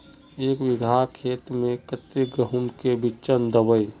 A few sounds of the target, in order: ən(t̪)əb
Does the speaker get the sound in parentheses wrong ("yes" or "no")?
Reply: yes